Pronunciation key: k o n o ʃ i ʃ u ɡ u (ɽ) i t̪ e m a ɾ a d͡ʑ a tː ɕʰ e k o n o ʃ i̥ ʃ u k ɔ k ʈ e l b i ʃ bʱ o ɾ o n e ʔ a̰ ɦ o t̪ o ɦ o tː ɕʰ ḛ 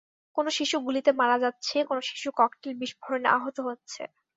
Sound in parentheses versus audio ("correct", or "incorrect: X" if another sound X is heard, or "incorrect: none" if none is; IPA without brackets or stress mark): incorrect: l